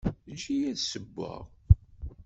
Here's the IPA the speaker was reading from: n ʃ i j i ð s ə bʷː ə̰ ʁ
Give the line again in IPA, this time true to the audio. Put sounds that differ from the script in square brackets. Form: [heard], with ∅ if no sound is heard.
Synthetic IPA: n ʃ i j [æ] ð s ə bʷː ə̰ ʁ